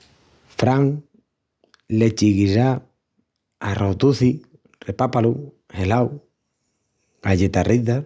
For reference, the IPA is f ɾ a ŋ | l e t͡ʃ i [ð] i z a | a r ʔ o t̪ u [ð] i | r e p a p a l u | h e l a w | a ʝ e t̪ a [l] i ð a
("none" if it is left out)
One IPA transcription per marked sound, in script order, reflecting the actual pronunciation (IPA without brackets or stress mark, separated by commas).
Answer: ɣ, θ, r